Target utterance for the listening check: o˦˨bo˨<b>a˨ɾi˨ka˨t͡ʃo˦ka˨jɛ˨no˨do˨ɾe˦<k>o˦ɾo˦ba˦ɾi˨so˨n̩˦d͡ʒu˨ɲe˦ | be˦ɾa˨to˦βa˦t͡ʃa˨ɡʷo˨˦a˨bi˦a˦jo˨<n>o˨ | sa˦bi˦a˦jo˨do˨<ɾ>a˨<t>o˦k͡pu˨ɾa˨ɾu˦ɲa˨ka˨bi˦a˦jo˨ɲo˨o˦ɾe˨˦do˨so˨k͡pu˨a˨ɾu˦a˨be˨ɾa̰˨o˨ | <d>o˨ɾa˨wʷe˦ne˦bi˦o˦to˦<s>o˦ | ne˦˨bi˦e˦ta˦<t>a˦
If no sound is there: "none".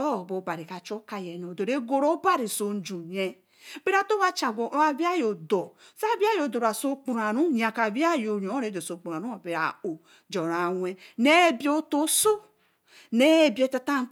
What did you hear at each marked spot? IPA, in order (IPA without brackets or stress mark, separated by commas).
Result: b, ɡ, d, ɾ, s, d͡ʒ, s, t